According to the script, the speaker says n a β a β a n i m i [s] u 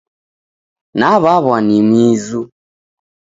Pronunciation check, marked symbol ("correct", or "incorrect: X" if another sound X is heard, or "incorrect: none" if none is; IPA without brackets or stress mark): incorrect: z